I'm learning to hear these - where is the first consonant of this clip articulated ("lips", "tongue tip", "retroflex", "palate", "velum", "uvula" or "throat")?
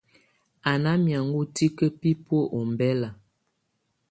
tongue tip